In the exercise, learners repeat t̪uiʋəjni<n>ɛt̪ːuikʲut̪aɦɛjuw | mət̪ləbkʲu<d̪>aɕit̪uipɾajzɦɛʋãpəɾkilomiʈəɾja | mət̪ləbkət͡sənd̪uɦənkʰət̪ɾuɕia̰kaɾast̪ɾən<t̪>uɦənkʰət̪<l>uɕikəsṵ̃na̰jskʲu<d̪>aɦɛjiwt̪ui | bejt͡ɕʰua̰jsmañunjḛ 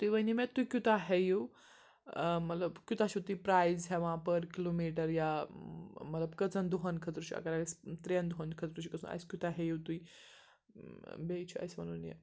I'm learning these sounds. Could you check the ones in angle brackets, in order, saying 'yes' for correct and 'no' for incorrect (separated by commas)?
no, no, no, no, no